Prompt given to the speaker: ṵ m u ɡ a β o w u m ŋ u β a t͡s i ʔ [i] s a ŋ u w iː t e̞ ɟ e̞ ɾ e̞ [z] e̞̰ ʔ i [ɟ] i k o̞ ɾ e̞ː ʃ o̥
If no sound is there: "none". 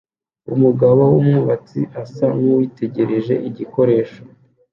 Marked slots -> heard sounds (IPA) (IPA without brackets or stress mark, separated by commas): a, ʒ, ɟ